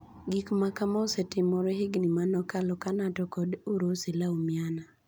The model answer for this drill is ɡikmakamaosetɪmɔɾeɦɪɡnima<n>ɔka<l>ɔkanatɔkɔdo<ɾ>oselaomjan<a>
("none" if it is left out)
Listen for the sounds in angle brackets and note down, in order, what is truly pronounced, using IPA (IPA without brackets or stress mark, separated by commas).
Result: n, l, ɾ, a